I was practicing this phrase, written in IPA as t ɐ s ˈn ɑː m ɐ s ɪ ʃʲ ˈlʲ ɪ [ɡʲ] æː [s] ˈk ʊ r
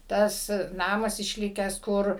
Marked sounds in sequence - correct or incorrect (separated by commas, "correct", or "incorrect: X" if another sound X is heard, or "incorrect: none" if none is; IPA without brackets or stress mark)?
incorrect: kʲ, correct